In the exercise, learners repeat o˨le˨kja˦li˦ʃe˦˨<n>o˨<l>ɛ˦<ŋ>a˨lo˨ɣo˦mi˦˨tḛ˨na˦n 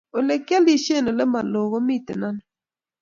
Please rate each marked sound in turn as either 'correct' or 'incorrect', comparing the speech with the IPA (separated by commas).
correct, correct, incorrect